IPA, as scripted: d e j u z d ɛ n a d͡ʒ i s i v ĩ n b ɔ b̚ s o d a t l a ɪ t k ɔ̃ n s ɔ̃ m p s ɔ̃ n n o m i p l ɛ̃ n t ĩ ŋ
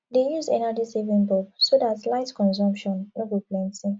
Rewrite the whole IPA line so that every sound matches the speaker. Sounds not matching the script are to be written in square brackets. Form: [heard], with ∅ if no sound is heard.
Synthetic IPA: d e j u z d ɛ n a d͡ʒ i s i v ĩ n b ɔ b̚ s o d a t l a ɪ t k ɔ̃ n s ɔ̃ m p [ʃ] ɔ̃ n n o [b] i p l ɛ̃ n t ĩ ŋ